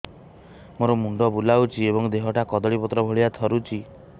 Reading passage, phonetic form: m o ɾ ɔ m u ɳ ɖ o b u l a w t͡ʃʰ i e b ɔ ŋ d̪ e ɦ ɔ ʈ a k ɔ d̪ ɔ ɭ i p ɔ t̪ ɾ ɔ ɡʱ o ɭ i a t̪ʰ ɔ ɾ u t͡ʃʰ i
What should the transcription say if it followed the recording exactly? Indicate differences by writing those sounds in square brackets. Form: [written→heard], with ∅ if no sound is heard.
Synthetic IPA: m o ɾ ɔ m u ɳ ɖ [o→ɔ] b u l a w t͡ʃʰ i e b ɔ ŋ d̪ e ɦ ɔ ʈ a k ɔ d̪ ɔ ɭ i p ɔ t̪ ɾ ɔ [ɡʱ→bʱ] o ɭ i a t̪ʰ ɔ ɾ u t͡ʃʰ i